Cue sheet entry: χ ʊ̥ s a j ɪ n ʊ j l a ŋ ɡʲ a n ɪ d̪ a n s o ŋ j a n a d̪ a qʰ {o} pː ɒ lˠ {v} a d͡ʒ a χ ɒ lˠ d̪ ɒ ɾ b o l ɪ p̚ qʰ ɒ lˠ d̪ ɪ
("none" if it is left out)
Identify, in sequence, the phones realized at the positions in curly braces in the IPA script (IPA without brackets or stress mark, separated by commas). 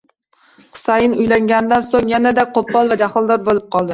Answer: o, v